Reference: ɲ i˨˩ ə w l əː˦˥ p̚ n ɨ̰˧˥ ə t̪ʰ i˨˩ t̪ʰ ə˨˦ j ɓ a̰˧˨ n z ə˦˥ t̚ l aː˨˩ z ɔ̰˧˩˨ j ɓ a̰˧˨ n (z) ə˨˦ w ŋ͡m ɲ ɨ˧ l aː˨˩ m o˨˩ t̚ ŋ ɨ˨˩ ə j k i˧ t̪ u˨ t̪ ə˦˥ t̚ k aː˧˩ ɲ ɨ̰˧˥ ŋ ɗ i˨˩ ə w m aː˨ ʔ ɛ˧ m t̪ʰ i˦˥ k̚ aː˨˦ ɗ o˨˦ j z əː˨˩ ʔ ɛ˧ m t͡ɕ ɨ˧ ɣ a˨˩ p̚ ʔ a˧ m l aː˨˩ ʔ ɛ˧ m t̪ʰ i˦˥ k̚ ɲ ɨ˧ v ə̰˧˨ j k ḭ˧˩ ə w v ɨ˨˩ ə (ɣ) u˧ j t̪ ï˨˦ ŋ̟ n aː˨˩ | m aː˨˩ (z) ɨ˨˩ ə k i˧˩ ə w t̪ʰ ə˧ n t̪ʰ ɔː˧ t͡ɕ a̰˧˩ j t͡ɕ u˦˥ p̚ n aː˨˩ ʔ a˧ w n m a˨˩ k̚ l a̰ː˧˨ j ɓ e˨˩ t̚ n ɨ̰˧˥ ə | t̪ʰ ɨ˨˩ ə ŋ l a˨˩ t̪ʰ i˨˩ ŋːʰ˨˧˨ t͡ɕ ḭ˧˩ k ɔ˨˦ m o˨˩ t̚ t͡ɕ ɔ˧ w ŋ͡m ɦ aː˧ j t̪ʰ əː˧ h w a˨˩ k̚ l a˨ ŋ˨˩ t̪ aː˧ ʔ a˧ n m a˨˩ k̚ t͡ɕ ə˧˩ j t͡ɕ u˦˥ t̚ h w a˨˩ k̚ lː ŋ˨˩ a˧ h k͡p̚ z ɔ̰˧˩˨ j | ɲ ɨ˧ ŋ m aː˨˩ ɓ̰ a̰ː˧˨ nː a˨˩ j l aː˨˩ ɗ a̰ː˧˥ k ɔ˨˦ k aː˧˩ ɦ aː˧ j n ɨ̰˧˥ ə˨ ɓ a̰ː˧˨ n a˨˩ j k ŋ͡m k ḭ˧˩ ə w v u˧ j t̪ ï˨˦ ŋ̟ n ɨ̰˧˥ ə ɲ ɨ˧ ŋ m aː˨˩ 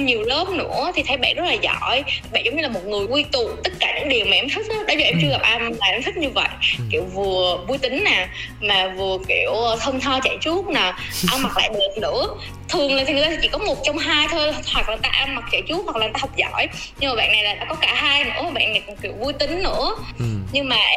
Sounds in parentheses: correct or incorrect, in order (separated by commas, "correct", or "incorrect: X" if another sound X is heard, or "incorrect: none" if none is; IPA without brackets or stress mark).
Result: correct, incorrect: v, incorrect: v